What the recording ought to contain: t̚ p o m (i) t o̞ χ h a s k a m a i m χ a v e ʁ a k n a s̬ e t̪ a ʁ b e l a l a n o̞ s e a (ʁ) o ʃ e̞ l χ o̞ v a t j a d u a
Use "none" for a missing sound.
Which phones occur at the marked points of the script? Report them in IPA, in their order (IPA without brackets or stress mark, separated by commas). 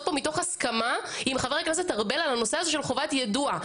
i, z